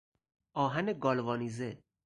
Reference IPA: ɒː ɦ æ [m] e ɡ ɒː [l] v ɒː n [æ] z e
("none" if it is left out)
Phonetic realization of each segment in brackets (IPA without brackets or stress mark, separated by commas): n, l, i